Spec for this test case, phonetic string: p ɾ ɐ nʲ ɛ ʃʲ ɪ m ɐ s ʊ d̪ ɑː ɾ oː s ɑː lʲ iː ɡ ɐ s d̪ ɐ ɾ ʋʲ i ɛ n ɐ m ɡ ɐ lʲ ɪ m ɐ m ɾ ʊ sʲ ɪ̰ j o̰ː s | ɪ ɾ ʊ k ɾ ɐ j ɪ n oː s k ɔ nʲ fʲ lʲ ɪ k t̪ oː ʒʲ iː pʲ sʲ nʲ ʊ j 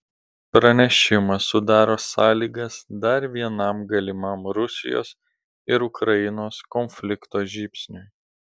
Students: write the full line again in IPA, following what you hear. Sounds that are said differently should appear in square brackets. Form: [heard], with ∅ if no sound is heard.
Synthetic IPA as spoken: p ɾ ɐ nʲ ɛ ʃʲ ɪ m ɐ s ʊ d̪ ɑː ɾ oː s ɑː lʲ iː ɡ ɐ s d̪ ɐ ɾ ʋʲ i ɛ n ɐ m ɡ ɐ lʲ ɪ m ɐ m ɾ ʊ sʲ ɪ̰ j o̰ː s | ɪ ɾ ʊ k ɾ ɐ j ɪ n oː s k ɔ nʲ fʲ lʲ ɪ k t̪ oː ʒʲ iː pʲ sʲ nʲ ʊ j

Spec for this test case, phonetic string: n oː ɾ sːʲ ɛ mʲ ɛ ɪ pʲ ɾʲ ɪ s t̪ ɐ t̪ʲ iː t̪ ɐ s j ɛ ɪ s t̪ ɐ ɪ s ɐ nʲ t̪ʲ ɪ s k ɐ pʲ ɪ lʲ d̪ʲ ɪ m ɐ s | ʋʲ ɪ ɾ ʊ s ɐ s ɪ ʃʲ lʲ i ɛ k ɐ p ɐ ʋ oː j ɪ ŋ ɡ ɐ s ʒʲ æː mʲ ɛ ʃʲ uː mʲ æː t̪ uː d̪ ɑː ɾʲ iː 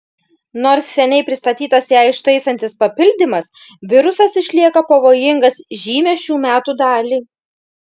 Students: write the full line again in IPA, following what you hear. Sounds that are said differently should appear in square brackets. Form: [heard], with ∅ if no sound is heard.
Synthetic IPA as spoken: n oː ɾ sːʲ ɛ [nʲ] ɛ ɪ pʲ ɾʲ ɪ s t̪ ɐ t̪ʲ iː t̪ ɐ s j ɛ ɪ [ʃ] t̪ ɐ ɪ s ɐ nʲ t̪ʲ ɪ s [p] ɐ pʲ ɪ lʲ d̪ʲ ɪ m ɐ s | ʋʲ ɪ ɾ ʊ s ɐ s ɪ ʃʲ lʲ i ɛ k ɐ p ɐ ʋ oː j ɪ ŋ ɡ ɐ s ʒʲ [iː] mʲ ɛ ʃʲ uː mʲ æː t̪ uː d̪ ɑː [lʲ] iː

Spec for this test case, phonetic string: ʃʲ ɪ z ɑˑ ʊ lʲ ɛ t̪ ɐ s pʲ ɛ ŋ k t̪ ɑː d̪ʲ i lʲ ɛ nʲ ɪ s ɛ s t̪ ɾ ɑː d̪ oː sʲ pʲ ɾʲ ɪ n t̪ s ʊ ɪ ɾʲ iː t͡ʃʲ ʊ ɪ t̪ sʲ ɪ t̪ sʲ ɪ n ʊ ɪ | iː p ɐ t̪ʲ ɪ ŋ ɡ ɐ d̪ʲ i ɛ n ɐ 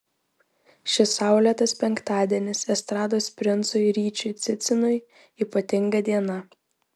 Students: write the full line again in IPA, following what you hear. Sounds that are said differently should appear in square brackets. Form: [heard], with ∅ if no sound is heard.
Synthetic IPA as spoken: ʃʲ ɪ [s] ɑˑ ʊ lʲ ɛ t̪ ɐ s pʲ ɛ ŋ k t̪ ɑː d̪ʲ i [∅] ɛ nʲ ɪ s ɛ s t̪ ɾ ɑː d̪ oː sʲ pʲ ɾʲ ɪ n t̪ s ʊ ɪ ɾʲ iː t͡ʃʲ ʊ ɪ t̪ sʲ ɪ t̪ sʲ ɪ n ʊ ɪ | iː p ɐ t̪ʲ ɪ ŋ ɡ ɐ d̪ʲ i ɛ n ɐ

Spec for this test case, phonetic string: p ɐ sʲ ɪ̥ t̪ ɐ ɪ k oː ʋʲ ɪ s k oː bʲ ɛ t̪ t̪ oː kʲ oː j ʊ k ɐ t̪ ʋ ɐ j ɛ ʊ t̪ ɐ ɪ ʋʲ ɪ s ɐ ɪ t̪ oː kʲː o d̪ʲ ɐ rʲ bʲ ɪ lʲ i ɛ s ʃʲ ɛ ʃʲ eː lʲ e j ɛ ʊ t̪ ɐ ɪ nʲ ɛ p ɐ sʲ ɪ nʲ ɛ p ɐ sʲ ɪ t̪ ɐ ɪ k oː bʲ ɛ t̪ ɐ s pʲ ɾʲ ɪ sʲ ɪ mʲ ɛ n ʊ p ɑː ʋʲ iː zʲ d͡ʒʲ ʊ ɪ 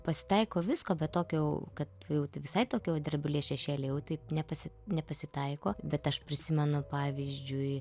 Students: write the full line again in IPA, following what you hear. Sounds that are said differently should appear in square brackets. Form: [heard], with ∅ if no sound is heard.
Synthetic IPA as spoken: p ɐ sʲ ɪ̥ t̪ ɐ ɪ k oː ʋʲ ɪ s k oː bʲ ɛ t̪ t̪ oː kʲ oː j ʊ k ɐ t̪ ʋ ɐ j ɛ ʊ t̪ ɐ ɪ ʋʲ ɪ s ɐ ɪ t̪ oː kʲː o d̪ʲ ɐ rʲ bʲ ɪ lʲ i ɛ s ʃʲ ɛ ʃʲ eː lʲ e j ɛ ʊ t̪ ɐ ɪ nʲ ɛ p ɐ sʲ ɪ nʲ ɛ p ɐ sʲ ɪ t̪ ɐ ɪ k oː bʲ ɛ t̪ ɐ [ʃ] pʲ ɾʲ ɪ sʲ ɪ mʲ ɛ n ʊ p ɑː ʋʲ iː zʲ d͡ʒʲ ʊ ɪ

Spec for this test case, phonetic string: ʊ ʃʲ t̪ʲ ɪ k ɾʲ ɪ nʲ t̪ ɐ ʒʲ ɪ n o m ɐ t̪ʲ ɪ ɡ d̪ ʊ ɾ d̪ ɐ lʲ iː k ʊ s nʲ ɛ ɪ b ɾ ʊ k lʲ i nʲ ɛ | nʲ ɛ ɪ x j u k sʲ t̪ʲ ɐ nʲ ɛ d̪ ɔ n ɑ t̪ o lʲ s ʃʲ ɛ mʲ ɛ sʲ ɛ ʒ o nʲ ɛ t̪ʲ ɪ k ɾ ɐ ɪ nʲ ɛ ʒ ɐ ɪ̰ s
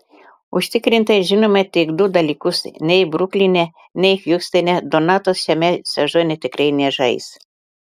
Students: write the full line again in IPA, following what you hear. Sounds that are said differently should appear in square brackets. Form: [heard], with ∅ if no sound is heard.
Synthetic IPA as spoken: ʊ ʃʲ t̪ʲ ɪ k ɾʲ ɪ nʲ t̪ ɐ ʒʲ ɪ n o m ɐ t̪ʲ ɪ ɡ d̪ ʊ [∅] d̪ ɐ lʲ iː k ʊ s nʲ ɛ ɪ b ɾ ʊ k lʲ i nʲ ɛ | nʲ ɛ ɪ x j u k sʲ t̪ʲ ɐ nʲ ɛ d̪ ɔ n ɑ t̪ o [∅] s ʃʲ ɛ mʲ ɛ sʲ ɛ ʒ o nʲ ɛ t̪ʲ ɪ k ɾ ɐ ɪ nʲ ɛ ʒ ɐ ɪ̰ s

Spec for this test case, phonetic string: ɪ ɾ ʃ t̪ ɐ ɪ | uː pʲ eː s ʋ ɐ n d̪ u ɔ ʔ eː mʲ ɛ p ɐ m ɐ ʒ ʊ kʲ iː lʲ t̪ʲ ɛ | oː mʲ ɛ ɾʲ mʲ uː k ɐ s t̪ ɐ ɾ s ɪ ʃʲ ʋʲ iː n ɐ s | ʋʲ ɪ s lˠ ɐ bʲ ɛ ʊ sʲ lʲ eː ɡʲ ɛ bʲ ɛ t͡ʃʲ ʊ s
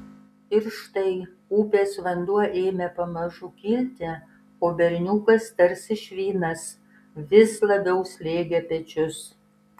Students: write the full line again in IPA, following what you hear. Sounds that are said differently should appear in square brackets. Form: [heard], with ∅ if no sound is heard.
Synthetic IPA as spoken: ɪ ɾ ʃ t̪ ɐ ɪ | uː pʲ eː s ʋ ɐ n d̪ u ɔ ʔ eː mʲ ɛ p ɐ m ɐ ʒ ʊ kʲ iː lʲ t̪ʲ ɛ | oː [bʲ] ɛ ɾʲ [nʲ] uː k ɐ s t̪ ɐ ɾ s ɪ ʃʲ ʋʲ iː n ɐ s | ʋʲ ɪ s lˠ ɐ bʲ ɛ ʊ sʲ lʲ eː ɡʲ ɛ [pʲ] ɛ t͡ʃʲ ʊ s

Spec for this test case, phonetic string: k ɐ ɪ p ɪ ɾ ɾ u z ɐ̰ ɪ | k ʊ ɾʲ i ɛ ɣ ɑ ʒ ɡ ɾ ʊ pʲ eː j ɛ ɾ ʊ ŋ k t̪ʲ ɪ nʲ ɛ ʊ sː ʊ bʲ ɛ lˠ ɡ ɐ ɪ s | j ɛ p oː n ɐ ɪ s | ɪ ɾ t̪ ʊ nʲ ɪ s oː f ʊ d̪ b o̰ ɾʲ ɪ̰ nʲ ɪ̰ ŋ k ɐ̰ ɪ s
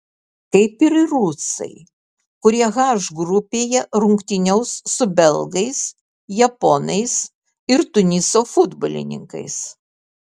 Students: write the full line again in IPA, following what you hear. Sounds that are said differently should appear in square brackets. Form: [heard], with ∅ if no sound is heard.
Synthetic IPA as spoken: k ɐ ɪ p ɪ ɾ ɾ u [s] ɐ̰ ɪ | k ʊ ɾʲ i ɛ ɣ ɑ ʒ ɡ ɾ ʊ pʲ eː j ɛ ɾ ʊ ŋ k t̪ʲ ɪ nʲ ɛ ʊ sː ʊ bʲ ɛ lˠ ɡ ɐ ɪ s | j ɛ p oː n ɐ ɪ s | ɪ ɾ t̪ ʊ nʲ ɪ s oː f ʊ d̪ b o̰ [lʲ] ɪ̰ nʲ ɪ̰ ŋ k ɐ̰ ɪ s

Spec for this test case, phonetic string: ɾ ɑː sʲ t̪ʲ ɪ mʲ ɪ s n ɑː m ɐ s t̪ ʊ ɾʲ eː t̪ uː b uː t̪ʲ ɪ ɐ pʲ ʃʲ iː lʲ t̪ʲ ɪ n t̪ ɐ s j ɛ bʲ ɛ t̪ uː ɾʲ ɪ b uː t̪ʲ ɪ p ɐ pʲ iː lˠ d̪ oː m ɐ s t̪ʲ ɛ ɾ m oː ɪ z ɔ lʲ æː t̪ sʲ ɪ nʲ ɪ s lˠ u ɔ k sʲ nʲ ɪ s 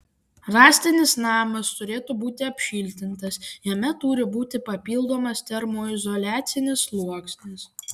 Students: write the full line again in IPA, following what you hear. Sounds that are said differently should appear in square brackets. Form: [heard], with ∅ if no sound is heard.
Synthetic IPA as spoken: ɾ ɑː sʲ t̪ʲ ɪ [nʲ] ɪ s n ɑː m ɐ s t̪ ʊ ɾʲ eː t̪ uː b uː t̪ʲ ɪ ɐ pʲ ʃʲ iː lʲ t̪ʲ ɪ n t̪ ɐ s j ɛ [mʲ] ɛ t̪ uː ɾʲ ɪ b uː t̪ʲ ɪ p ɐ pʲ iː lˠ d̪ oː m ɐ s t̪ʲ ɛ ɾ m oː ɪ z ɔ lʲ æː t̪ sʲ ɪ nʲ ɪ s lˠ u ɔ k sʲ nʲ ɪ s

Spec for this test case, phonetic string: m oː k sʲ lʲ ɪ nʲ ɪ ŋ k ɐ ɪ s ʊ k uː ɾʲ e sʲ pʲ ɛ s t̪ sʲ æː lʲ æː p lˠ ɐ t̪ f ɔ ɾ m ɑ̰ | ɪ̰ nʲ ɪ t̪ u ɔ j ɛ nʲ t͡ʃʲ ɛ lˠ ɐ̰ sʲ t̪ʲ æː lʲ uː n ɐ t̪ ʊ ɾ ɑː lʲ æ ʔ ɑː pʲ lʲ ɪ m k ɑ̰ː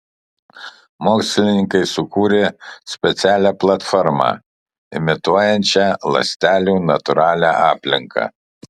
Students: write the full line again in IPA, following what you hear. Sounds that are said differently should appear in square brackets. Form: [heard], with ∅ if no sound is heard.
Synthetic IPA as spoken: m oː k sʲ lʲ ɪ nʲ ɪ ŋ k ɐ ɪ s ʊ k uː ɾʲ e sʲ pʲ ɛ [∅] t̪ sʲ æː lʲ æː p lˠ ɐ t̪ f ɔ ɾ m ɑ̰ | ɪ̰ [mʲ] ɪ t̪ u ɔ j ɛ nʲ t͡ʃʲ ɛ lˠ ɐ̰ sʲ t̪ʲ æː lʲ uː n ɐ t̪ ʊ ɾ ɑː lʲ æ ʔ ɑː pʲ lʲ ɪ [ŋ] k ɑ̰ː

